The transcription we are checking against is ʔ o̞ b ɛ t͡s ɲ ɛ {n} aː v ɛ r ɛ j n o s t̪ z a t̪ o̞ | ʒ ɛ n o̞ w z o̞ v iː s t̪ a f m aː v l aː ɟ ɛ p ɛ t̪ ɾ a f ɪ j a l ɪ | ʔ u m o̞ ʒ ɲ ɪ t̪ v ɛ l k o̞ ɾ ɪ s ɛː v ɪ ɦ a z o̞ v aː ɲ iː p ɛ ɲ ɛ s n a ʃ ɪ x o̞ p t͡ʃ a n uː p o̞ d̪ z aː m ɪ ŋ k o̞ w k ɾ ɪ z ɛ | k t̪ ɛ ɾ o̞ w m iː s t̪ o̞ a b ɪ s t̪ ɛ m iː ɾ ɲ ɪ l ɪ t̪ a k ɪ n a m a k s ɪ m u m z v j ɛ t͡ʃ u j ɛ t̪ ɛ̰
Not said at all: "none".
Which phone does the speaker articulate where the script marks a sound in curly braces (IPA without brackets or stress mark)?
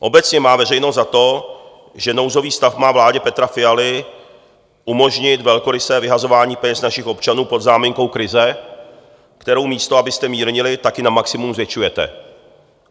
m